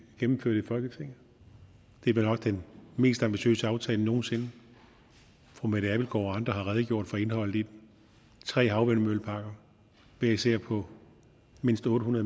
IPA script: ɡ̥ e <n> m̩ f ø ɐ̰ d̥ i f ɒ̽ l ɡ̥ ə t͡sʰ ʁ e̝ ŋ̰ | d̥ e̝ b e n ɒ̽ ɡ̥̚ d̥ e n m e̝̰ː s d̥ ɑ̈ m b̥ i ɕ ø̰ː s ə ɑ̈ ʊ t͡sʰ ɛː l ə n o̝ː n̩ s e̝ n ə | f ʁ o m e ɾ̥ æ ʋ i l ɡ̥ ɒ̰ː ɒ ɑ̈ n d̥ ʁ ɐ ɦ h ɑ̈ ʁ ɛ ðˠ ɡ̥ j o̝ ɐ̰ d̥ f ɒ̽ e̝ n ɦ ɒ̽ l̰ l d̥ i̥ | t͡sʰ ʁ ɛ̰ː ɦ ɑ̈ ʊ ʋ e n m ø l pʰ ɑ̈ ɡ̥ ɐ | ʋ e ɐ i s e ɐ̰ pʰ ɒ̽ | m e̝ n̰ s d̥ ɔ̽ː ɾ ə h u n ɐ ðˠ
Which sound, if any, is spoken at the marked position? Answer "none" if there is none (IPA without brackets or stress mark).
m